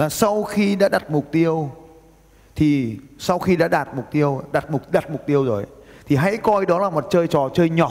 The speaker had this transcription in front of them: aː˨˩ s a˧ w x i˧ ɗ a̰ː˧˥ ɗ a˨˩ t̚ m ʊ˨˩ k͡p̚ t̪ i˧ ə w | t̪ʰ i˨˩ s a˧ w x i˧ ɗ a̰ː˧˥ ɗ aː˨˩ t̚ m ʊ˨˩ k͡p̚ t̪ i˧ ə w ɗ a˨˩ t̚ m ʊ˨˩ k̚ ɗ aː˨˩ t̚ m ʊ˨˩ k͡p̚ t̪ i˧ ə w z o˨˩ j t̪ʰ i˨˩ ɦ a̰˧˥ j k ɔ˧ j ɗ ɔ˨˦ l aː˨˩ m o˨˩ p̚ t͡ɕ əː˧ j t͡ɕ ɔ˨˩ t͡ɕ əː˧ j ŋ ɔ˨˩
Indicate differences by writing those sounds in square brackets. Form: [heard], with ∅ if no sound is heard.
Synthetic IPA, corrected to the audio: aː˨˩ s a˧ w x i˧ ɗ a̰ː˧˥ ɗ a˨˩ t̚ m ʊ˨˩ k͡p̚ t̪ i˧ ə w | t̪ʰ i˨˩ s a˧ w x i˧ ɗ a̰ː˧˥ ɗ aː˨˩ t̚ m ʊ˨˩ k͡p̚ t̪ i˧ ə w ɗ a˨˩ t̚ m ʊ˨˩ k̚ ɗ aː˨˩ t̚ m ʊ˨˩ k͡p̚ t̪ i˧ ə w z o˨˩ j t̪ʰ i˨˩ ɦ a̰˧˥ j k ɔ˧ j ɗ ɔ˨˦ l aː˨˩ m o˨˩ [t̚] t͡ɕ əː˧ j t͡ɕ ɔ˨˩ t͡ɕ əː˧ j [ɲ] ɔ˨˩